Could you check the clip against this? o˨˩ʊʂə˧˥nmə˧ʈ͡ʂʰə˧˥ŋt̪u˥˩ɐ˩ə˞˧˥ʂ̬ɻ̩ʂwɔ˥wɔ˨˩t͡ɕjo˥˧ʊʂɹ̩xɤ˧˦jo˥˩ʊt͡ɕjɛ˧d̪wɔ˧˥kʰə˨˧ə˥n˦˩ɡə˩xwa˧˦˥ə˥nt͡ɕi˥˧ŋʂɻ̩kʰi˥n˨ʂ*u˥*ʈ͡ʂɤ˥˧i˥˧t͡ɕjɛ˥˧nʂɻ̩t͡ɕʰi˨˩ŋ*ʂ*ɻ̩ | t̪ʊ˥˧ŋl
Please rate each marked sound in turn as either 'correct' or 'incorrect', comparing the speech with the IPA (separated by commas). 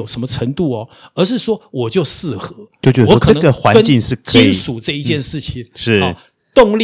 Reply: incorrect, correct